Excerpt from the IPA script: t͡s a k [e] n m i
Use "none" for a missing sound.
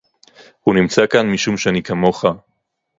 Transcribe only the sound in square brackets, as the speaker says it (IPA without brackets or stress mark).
a